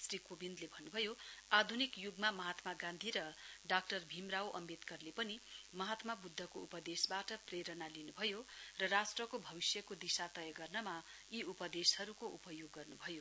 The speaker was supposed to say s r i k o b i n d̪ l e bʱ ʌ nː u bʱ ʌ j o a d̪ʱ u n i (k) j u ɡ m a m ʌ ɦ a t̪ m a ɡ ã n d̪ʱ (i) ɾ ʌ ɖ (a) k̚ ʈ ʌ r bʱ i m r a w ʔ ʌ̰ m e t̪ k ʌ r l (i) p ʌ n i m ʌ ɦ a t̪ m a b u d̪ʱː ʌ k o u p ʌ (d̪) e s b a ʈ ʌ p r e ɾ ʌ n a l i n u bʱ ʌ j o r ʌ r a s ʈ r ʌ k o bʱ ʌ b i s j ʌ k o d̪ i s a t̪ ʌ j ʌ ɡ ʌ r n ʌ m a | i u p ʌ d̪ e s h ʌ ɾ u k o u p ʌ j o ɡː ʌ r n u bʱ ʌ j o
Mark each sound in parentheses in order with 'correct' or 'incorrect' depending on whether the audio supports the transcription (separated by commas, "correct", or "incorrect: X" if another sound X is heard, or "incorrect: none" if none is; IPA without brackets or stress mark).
correct, correct, correct, incorrect: e, correct